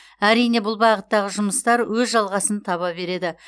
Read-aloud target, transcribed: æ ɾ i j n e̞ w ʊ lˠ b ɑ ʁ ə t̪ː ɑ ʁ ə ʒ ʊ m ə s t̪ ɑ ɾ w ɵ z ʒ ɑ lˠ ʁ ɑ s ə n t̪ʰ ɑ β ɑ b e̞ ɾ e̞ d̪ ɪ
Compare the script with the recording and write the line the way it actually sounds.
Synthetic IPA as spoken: æ ɾ i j n e̞ b ʊ lˠ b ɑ ʁ ə t̪ː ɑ ʁ ə ʒ ʊ m ə s t̪ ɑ ɾ w ɵ z ʒ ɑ lˠ ʁ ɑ s ə n t̪ʰ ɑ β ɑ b e̞ ɾ e̞ d̪ ɪ